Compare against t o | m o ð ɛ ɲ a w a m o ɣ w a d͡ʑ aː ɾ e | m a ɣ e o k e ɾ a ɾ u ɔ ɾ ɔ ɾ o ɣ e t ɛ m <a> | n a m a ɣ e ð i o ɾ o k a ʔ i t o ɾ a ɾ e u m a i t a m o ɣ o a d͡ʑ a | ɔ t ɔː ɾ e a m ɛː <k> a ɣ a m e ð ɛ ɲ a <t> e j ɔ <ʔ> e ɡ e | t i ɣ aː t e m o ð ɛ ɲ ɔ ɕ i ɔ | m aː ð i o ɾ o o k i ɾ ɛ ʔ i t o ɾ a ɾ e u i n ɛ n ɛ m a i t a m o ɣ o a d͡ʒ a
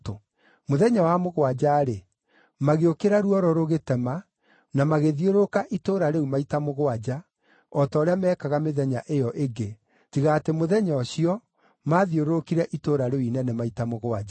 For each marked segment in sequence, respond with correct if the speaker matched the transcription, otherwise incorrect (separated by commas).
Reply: correct, correct, incorrect, correct